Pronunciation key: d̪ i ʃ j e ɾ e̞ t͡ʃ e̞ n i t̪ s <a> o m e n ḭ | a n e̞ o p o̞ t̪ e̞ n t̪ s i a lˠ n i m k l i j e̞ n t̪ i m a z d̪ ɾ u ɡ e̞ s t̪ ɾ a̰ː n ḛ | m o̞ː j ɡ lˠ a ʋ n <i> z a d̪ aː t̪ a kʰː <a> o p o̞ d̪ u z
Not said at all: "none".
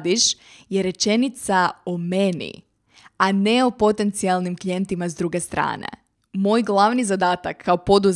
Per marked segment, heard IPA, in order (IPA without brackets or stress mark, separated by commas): a, i, a